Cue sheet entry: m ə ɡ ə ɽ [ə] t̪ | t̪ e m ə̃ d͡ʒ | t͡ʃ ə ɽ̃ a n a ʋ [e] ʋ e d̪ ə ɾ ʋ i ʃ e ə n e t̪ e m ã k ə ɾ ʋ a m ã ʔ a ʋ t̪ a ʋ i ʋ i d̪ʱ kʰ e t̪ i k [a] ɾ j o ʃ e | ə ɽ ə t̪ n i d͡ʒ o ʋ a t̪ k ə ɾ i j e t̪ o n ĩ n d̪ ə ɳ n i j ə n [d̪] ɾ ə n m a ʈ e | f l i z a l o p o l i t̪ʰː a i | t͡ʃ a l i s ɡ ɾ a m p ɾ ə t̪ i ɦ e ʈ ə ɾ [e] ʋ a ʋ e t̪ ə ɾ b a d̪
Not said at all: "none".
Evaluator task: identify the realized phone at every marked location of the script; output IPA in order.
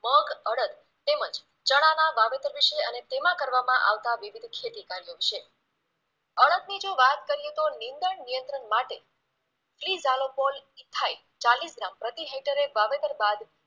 ə, a, a, t̪, e

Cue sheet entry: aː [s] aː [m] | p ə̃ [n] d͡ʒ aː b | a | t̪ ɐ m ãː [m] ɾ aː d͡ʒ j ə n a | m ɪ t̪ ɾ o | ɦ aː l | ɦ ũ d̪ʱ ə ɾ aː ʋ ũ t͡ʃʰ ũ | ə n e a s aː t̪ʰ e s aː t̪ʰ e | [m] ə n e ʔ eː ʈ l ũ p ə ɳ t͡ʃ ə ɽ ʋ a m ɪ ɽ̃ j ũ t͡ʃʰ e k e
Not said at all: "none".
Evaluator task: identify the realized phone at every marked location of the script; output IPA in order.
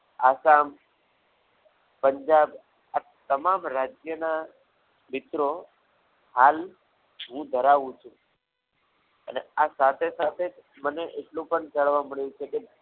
s, m, ɲ, m, m

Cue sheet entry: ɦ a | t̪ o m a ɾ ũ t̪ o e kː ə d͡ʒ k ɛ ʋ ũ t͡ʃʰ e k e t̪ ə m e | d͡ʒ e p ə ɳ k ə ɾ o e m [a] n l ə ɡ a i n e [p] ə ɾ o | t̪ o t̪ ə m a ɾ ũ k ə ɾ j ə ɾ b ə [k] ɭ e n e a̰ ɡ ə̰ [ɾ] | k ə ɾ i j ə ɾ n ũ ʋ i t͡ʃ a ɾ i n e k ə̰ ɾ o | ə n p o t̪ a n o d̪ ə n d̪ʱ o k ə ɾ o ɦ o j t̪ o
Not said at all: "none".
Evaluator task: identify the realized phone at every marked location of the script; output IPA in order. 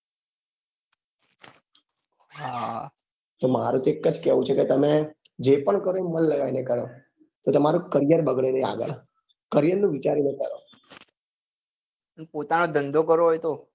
ə, k, ɡ, ɭ

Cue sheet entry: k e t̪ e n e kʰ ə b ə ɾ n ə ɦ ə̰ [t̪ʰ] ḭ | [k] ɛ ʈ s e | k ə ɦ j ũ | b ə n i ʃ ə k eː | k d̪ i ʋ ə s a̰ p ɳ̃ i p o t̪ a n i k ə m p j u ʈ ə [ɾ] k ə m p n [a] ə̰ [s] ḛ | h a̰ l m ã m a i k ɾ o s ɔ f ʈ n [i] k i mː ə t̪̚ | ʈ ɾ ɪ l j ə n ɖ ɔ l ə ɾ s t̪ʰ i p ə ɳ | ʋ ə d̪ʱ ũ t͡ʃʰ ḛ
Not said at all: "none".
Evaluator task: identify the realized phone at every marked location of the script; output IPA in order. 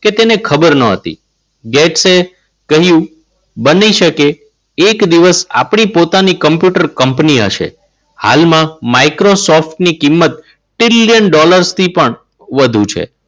t̪, ɡ, ɾ, i, ʃ, i

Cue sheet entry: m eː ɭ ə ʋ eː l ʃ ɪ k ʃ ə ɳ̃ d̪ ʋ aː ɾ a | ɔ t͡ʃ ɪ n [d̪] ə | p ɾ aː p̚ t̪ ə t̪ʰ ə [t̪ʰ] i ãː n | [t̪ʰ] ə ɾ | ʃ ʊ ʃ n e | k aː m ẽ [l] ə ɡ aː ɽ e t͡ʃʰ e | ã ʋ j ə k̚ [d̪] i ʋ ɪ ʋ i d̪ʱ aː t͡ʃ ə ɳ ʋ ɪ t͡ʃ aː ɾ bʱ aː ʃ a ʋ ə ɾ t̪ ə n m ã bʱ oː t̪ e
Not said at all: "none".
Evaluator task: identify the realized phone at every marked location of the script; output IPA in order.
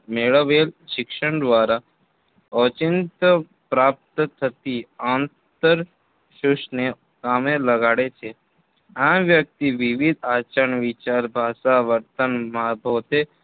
t̪, t̪, t̪, l, t̪

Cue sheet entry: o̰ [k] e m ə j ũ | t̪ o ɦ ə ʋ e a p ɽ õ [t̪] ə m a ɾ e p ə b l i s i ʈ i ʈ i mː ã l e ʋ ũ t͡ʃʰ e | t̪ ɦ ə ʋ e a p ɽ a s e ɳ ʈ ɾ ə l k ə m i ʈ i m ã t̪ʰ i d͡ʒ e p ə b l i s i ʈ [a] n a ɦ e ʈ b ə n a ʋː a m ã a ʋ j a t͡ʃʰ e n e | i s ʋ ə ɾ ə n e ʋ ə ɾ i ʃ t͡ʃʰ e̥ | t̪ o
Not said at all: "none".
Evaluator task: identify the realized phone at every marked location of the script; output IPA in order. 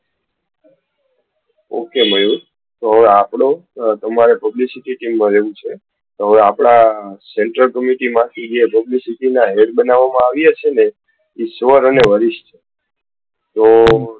k, t̪, i

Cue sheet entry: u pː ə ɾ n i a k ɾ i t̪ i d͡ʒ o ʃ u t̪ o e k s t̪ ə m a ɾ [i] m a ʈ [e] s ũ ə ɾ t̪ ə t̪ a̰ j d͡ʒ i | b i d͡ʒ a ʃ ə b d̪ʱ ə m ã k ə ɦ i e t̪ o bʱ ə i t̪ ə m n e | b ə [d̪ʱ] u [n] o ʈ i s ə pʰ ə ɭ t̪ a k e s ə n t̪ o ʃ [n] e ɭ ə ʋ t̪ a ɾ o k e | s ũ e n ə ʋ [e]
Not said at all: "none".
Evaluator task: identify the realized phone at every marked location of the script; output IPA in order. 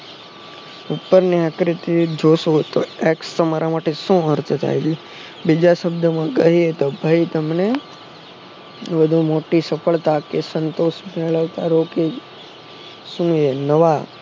a, e, d̪ʱ, m, m, a

